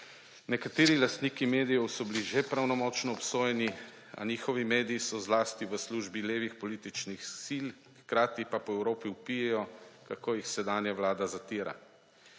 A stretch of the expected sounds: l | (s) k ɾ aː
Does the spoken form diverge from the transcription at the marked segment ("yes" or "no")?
yes